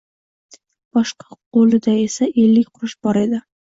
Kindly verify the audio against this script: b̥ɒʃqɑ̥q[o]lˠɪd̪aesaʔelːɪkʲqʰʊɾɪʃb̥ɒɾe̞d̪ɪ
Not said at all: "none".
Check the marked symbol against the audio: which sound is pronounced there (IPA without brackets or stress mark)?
o